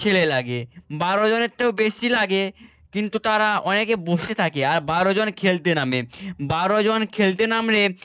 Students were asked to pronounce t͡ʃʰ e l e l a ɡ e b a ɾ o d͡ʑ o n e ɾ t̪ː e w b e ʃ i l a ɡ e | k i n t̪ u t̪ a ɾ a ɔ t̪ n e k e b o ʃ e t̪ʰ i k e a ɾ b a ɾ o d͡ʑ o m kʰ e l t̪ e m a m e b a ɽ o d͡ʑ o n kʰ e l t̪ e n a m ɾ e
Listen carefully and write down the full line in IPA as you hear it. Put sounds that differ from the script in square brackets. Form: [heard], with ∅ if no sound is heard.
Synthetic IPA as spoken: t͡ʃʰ e l e l a ɡ e b a ɾ o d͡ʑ o n e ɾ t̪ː e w b e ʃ i l a ɡ e | k i n t̪ u t̪ a ɾ a ɔ [∅] n e k e b o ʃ e t̪ʰ [a] k e a ɾ b a ɾ o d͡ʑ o [n] kʰ e l t̪ e [n] a m e b a [ɾ] o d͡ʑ o n kʰ e l t̪ e n a m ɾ e